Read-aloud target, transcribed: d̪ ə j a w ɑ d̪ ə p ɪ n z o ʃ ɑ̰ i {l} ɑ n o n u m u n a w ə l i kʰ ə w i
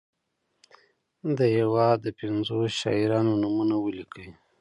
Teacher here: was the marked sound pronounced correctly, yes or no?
no